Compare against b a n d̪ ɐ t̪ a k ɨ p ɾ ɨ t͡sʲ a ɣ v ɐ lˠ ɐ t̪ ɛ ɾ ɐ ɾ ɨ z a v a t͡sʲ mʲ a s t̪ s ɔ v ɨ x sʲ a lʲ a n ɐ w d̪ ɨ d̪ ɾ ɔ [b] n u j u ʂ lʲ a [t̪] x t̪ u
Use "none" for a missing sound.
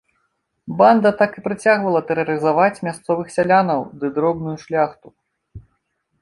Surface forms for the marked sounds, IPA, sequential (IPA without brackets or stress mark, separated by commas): b, none